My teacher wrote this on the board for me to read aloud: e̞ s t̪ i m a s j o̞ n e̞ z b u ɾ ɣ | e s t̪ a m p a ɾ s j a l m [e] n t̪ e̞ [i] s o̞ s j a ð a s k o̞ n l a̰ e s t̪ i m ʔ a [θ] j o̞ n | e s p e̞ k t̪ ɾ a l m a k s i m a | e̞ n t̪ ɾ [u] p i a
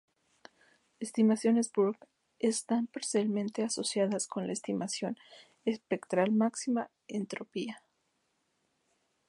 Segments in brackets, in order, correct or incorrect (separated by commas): incorrect, incorrect, incorrect, incorrect